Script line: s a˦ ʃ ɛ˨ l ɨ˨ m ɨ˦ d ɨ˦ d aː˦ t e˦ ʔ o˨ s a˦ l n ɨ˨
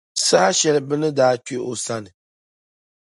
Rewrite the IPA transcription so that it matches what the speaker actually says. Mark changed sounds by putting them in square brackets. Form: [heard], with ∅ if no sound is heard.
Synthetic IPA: s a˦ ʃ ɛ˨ l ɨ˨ [b] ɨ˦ [n] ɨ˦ d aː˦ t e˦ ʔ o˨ s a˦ [∅] n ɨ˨